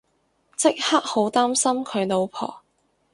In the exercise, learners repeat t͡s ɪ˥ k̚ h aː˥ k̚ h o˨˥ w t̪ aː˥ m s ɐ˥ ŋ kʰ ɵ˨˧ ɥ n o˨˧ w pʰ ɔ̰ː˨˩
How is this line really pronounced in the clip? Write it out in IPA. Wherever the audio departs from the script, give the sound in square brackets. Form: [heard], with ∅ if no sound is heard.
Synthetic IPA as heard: t͡s ɪ˥ k̚ h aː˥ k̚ h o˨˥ w t̪ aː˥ m s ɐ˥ [m] kʰ ɵ˨˧ ɥ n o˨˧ w pʰ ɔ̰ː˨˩